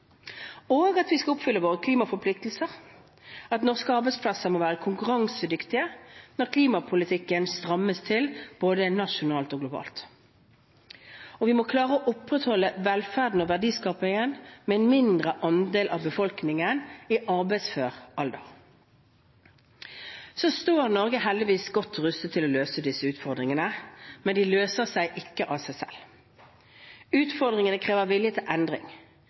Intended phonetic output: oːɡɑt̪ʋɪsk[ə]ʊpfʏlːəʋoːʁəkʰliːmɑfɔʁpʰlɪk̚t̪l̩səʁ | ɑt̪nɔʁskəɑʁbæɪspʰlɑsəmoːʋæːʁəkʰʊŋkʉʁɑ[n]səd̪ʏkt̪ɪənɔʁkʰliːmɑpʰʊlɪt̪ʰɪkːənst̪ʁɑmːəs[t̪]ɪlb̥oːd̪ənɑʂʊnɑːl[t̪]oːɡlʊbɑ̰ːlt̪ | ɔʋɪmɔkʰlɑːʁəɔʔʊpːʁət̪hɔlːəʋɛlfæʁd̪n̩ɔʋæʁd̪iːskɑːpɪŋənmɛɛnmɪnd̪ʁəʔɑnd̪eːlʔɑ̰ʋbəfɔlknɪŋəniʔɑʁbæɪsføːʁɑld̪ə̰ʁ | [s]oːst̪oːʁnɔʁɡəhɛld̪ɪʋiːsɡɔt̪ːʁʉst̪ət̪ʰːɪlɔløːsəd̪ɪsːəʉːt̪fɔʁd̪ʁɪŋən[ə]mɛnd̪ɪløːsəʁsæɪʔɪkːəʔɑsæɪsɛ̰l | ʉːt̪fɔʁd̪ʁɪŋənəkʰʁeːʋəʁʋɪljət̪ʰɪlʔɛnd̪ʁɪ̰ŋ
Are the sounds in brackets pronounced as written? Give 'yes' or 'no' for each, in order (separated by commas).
no, no, no, yes, yes, yes